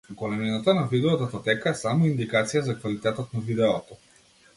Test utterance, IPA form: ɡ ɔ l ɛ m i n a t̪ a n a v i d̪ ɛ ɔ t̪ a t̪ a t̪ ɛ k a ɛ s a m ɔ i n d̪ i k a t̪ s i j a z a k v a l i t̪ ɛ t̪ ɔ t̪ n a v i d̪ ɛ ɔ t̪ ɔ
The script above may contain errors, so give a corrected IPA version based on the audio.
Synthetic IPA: ɡ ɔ l ɛ m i n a t̪ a n a v i d̪ ɛ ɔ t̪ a t̪ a t̪ ɛ k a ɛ s a m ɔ i n d̪ i k a t̪ s i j a z a k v a l i t̪ ɛ t̪ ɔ t̪ n a v i d̪ ɛ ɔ t̪ ɔ